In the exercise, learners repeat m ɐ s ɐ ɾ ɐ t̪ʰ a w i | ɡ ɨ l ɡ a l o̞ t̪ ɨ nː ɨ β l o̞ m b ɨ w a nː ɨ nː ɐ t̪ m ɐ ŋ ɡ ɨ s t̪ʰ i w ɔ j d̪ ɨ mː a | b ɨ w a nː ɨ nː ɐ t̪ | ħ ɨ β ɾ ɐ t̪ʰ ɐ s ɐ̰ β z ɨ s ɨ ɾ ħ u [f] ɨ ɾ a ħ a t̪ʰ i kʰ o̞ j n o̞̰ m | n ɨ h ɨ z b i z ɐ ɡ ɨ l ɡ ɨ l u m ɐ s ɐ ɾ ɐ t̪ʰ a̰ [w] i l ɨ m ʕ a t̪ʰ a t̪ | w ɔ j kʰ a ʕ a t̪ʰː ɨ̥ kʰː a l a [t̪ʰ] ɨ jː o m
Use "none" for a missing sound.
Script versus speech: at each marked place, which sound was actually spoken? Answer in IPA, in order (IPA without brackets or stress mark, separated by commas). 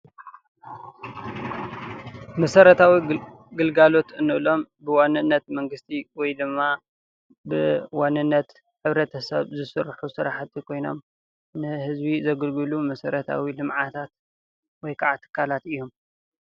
s, w, t̪